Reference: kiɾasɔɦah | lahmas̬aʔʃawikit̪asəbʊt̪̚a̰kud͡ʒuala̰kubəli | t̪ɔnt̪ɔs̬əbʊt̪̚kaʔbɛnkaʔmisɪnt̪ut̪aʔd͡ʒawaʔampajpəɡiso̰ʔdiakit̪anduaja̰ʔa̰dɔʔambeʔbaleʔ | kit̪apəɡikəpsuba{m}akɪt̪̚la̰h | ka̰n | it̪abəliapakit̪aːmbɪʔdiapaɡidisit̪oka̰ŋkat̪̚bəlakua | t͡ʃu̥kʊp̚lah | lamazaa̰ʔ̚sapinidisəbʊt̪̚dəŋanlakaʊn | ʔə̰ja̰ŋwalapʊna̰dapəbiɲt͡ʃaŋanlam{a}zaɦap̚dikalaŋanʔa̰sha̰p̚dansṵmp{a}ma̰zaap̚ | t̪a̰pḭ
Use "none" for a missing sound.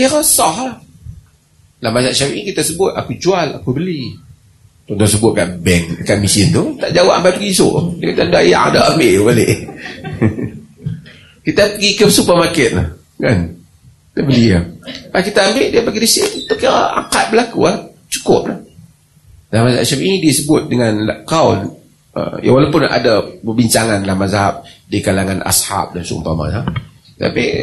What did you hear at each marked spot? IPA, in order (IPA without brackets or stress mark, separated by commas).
m, a, a